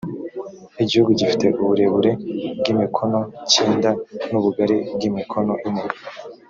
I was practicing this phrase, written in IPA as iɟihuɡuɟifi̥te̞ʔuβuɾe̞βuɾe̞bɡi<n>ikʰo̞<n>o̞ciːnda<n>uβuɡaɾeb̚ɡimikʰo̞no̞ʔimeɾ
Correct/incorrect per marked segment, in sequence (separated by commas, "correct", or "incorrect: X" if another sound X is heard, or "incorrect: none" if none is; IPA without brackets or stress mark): incorrect: m, correct, correct